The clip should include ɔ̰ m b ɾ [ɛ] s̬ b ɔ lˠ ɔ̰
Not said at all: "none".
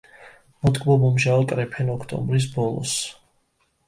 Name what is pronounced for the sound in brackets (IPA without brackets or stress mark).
i